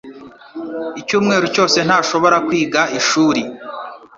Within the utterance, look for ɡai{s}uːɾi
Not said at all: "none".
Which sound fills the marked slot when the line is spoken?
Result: ʃ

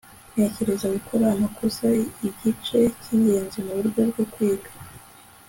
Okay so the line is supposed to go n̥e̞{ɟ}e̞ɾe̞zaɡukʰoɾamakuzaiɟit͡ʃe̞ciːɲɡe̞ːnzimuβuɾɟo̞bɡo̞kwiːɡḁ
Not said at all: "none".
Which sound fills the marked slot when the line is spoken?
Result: c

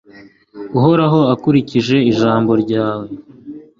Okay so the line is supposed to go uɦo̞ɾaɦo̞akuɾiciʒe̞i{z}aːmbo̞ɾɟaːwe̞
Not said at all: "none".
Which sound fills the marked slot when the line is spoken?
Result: ʒ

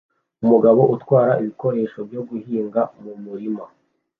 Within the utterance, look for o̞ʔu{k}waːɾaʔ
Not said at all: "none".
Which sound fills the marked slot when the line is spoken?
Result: t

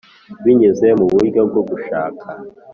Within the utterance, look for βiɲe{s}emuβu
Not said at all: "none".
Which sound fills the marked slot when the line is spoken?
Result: z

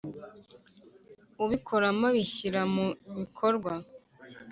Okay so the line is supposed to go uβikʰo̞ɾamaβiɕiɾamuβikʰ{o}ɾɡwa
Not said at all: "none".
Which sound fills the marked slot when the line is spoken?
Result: o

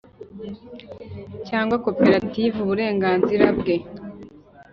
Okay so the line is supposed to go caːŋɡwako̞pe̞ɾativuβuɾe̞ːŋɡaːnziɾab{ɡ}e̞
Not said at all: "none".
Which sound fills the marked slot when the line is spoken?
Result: ɡ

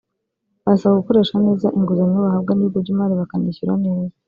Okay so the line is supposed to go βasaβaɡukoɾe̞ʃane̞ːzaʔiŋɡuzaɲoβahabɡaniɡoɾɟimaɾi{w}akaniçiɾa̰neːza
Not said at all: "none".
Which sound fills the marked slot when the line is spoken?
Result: β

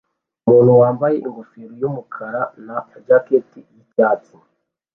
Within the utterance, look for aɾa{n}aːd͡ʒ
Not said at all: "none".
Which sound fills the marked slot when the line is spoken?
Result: n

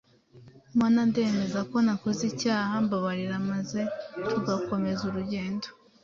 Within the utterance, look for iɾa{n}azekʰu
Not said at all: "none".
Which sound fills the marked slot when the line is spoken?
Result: m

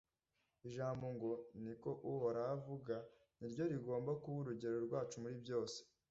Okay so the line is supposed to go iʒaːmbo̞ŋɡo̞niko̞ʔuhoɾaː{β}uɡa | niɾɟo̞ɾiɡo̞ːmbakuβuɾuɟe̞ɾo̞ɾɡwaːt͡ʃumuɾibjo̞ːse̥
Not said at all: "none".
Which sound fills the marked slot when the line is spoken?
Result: v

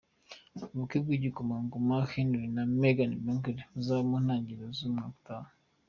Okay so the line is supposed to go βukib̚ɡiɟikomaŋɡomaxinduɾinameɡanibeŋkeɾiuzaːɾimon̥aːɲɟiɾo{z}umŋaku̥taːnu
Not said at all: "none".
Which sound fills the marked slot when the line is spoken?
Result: z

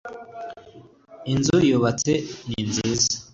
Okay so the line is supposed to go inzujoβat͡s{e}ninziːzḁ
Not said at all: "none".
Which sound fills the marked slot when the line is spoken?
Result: e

